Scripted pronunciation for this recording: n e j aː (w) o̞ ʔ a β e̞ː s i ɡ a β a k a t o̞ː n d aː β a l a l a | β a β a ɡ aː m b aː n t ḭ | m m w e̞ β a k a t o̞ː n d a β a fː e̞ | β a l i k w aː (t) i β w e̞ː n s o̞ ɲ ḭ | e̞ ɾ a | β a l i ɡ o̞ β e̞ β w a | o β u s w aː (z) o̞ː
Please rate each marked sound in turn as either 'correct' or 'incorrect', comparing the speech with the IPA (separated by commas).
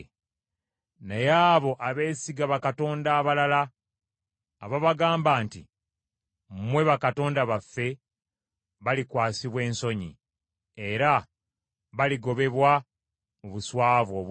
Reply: incorrect, incorrect, incorrect